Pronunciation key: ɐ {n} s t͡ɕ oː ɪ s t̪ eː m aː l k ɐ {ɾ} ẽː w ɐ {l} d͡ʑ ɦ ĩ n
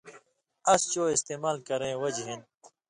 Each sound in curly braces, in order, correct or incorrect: incorrect, correct, incorrect

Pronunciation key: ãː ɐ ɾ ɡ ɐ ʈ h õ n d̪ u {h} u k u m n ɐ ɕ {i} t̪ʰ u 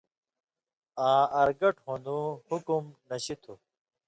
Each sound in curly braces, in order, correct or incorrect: correct, correct

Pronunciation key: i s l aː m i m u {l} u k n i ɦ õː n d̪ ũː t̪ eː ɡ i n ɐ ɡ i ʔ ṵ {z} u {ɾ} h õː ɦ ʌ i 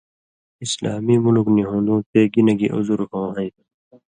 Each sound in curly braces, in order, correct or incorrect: correct, correct, correct

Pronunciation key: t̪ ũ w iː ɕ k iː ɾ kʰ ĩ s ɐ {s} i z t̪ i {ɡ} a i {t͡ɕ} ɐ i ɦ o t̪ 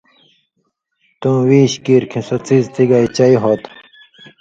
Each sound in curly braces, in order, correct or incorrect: incorrect, correct, correct

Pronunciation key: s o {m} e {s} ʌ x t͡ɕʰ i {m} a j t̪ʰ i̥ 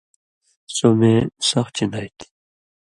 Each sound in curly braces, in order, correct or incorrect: correct, correct, incorrect

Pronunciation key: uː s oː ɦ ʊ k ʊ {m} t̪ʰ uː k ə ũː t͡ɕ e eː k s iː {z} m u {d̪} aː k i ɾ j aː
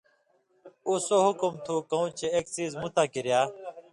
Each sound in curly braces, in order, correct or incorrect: correct, correct, incorrect

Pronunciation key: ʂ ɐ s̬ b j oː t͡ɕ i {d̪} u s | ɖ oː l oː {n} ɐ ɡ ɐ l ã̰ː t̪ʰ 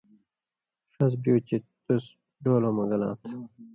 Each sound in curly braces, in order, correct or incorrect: incorrect, incorrect

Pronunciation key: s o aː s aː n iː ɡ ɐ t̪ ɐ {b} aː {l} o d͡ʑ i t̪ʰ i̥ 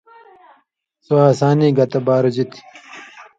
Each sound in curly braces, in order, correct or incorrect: correct, incorrect

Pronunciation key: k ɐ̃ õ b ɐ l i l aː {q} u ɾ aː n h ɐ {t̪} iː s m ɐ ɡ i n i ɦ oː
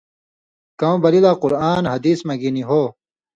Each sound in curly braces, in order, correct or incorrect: correct, incorrect

